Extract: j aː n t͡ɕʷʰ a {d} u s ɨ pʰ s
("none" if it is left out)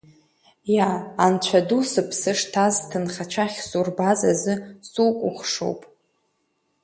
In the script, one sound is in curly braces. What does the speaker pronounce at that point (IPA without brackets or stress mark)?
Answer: d